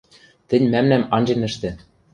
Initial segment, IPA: t̪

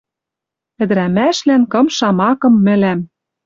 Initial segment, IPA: ɘ̆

